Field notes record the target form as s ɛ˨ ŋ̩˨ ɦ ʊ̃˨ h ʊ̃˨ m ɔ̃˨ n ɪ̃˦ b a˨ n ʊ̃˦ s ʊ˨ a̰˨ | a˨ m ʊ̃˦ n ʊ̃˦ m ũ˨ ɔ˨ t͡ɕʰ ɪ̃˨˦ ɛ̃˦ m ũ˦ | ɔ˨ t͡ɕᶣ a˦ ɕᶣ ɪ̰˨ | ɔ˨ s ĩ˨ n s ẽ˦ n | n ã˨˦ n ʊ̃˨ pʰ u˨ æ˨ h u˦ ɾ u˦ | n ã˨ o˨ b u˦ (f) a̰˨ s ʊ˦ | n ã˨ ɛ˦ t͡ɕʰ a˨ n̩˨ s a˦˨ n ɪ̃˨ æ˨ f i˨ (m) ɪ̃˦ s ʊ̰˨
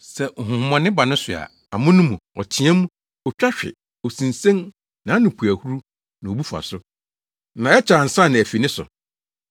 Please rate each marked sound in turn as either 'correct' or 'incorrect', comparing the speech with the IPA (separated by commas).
correct, incorrect